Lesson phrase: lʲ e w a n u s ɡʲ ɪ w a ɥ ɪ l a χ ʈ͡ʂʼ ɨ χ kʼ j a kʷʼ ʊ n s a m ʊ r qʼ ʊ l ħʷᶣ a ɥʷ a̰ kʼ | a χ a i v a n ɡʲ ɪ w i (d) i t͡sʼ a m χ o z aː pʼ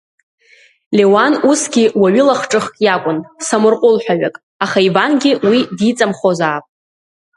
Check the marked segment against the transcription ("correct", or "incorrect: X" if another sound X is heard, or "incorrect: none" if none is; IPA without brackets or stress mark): correct